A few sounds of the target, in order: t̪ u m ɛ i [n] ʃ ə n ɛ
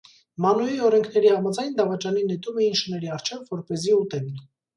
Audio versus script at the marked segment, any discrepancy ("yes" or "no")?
no